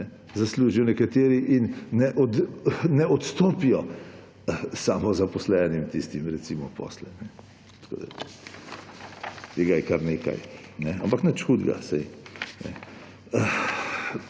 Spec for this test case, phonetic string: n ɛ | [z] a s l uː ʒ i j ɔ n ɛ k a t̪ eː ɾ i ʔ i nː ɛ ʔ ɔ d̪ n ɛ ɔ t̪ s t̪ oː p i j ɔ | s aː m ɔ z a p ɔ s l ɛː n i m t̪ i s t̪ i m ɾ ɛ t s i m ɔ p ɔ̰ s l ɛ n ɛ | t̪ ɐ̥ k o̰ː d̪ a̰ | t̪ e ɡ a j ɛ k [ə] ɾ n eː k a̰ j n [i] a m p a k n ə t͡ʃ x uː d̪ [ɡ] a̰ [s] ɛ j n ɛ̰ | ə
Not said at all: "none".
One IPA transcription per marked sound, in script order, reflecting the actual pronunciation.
z, a, ɛ, ɡ, s

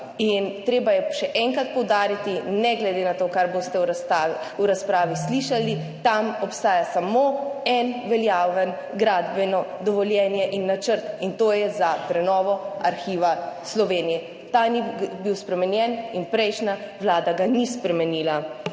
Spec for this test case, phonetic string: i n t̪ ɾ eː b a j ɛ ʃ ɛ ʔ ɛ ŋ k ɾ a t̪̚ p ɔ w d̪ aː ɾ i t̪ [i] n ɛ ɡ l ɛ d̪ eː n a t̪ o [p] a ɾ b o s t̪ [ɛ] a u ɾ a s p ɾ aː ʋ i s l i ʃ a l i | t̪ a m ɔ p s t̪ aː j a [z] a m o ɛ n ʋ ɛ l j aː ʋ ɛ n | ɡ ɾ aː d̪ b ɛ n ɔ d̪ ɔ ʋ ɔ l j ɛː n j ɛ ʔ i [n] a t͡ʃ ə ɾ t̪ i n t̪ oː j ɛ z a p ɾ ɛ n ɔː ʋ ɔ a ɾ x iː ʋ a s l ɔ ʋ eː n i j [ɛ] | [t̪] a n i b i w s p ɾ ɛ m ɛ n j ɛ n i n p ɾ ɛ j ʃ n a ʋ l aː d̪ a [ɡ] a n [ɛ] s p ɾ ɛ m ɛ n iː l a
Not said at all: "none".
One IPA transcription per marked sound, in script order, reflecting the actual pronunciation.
i, k, ɛ, s, nː, ɛ, t̪, ɡ, i

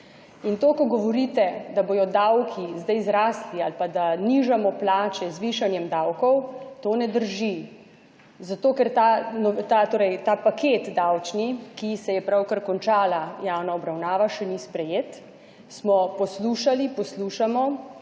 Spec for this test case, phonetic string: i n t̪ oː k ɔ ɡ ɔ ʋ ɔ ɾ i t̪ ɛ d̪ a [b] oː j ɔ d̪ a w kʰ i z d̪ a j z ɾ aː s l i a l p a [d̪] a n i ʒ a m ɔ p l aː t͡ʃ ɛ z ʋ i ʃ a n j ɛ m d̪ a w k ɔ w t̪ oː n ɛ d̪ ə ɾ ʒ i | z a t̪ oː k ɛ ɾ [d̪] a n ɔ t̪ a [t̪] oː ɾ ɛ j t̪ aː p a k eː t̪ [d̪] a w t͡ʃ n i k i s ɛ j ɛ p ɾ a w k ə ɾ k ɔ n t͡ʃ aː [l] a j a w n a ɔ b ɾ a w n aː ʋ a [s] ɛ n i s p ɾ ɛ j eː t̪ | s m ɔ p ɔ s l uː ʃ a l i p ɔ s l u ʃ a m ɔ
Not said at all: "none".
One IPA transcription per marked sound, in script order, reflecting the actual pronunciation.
b, d̪, t̪, t̪, d̪, l, ʃ

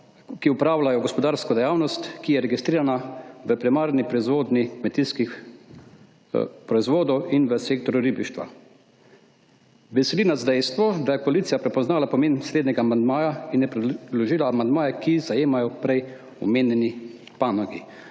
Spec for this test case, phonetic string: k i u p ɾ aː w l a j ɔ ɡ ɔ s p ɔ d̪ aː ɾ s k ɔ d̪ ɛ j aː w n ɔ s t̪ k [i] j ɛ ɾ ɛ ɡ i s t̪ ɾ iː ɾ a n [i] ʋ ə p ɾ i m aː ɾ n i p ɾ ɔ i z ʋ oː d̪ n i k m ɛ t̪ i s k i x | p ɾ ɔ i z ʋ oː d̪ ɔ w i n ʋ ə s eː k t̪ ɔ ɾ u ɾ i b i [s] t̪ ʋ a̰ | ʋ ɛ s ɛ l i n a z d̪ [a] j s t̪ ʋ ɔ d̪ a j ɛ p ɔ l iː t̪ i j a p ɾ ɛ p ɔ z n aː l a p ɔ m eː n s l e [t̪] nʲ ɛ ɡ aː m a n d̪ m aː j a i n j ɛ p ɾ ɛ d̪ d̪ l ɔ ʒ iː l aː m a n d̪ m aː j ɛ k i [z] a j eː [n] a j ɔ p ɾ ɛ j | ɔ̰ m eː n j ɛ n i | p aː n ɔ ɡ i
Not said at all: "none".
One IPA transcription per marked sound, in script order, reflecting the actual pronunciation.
i, a, ʃ, ɛ, d̪, z, m

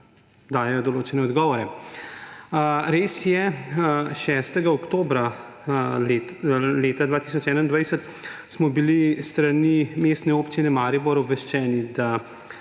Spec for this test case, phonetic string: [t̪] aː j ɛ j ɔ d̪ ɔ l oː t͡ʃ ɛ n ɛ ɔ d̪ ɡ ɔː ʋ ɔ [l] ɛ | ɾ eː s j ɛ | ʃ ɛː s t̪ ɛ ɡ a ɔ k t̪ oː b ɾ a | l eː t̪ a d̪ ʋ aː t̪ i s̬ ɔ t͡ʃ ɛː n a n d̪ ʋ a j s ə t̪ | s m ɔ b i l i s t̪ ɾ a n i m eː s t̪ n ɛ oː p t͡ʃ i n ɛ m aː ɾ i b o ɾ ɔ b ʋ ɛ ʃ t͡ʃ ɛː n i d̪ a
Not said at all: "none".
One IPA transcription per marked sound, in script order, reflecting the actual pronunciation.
d̪, ɾ

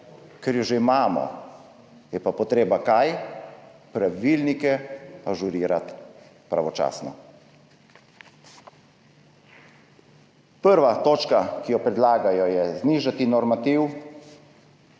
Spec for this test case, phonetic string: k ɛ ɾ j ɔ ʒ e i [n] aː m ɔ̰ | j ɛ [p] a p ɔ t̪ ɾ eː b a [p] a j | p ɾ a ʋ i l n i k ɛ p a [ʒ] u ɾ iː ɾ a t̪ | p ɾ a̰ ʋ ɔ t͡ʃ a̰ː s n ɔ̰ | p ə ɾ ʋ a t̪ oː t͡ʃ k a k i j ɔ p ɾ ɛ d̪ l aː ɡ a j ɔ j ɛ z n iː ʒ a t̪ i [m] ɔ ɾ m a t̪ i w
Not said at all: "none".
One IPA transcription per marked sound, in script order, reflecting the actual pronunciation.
m, p, k, ʒ, n

